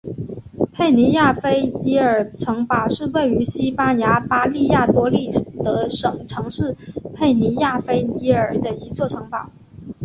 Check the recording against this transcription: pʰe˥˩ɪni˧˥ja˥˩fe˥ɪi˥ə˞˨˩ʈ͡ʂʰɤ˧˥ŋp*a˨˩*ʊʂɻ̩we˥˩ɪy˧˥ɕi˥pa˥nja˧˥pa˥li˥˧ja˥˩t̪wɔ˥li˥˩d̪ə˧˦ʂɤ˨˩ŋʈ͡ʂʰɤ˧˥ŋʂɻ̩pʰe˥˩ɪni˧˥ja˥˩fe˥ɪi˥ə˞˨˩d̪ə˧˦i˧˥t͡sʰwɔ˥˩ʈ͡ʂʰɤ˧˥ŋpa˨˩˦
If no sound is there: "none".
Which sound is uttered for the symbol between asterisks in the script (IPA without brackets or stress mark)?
a˨˩